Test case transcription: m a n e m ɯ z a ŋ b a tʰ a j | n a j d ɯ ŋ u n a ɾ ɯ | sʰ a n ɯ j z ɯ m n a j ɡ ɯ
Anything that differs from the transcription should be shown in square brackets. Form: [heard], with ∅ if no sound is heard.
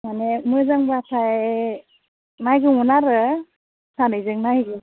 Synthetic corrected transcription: m a n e m ɯ z a ŋ b a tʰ a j | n a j [ɡ] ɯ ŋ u n a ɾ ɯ | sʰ a n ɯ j z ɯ [ŋ] n a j ɡ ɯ

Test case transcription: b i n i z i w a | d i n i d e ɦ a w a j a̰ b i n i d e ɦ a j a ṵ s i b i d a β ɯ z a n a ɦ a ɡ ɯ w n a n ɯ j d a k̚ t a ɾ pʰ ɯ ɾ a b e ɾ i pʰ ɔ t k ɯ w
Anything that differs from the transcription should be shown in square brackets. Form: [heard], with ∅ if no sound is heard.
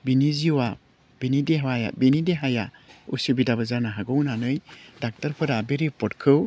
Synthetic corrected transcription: b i n i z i w a | [b] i n i d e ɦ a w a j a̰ b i n i d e ɦ a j a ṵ s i b i d a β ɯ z a n a ɦ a ɡ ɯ w n a n ɯ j d a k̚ t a ɾ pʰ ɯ ɾ a b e ɾ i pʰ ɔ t [kʰ] ɯ w

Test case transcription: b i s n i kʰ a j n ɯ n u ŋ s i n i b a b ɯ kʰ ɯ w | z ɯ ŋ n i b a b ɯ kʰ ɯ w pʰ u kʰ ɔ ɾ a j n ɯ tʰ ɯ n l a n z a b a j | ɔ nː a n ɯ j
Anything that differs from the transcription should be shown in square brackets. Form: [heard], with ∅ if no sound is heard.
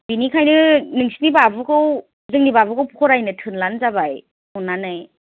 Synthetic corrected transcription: b i [∅] n i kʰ a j n ɯ n [ɯ] ŋ s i n i b a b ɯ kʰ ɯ w | z ɯ ŋ n i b a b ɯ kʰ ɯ w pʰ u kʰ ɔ ɾ a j n ɯ tʰ ɯ n l a n z a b a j | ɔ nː a n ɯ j

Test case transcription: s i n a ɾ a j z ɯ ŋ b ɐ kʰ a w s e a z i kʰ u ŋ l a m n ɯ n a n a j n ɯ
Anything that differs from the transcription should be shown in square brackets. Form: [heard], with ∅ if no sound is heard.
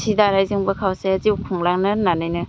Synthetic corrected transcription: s i [d] a ɾ a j z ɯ ŋ b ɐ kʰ a w s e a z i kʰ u ŋ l a [ŋ] n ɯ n a n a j n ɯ

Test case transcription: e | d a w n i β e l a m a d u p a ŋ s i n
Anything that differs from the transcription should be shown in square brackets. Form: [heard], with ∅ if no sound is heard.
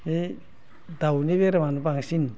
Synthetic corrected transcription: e | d a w n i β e [ɾ] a m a [n] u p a ŋ s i n

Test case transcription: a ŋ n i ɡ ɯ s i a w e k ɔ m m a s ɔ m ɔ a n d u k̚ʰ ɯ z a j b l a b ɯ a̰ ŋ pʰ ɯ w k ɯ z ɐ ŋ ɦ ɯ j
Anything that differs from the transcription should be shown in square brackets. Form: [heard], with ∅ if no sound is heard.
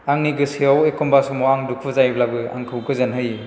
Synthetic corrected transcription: a ŋ n i ɡ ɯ s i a w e k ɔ m [b] a s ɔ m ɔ a [ŋ] d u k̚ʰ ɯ z a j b l a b ɯ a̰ ŋ [kʰ] ɯ w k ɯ z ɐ [n] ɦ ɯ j

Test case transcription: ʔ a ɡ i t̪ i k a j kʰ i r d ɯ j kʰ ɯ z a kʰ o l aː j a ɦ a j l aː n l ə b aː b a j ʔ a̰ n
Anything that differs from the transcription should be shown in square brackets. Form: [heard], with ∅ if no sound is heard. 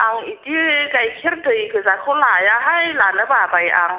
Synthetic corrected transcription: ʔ a [ŋ] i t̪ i k a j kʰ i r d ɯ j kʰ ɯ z a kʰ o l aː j a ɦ a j l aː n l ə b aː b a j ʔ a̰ [ŋ]

